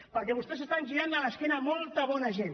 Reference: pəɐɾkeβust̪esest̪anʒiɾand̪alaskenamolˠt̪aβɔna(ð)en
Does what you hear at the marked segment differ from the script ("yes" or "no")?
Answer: yes